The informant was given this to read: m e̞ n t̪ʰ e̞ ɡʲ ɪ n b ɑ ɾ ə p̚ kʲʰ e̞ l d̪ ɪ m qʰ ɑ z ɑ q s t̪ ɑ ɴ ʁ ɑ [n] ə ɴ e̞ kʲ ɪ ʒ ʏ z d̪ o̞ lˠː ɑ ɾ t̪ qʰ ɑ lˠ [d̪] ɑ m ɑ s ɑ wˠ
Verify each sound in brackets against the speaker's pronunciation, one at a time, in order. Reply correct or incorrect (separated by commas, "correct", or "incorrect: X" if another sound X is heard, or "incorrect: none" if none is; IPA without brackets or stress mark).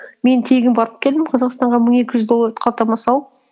incorrect: m, incorrect: t̪